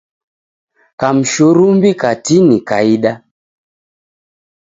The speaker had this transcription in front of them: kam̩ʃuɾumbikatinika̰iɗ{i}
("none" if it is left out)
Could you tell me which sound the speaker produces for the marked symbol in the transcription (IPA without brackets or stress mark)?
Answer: a